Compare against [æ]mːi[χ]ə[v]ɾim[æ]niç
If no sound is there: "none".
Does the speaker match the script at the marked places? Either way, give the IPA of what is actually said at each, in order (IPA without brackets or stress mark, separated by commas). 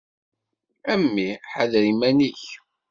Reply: æ, ħ, ð, æ